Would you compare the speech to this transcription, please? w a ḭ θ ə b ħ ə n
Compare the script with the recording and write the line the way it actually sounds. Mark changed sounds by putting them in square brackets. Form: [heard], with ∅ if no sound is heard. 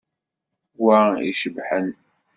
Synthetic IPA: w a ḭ [ʃ] ə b ħ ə n

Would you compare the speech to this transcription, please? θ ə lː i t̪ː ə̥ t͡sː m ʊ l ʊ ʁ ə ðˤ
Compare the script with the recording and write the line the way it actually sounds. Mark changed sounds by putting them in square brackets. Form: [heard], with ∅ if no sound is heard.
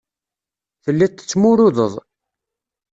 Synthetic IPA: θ ə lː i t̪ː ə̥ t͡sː m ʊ [ɾ] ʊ [ð] ə ðˤ

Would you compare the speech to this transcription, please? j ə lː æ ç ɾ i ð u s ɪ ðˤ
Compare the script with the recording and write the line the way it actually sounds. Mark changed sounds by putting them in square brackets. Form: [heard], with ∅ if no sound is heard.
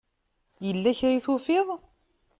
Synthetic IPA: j ə lː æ ç ɾ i [θ] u [f] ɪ ðˤ

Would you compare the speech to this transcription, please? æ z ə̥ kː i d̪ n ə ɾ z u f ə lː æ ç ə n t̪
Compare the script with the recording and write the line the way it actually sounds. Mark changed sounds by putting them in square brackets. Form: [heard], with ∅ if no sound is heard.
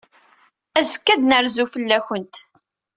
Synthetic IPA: æ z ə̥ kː [æ] d̪ n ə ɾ z u f ə lː æ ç ə n t̪

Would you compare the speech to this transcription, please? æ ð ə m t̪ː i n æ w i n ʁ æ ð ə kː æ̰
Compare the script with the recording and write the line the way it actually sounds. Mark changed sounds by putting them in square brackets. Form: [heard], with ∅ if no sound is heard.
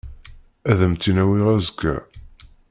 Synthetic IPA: æ ð ə m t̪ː i n æ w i [∅] ʁ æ [z] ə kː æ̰

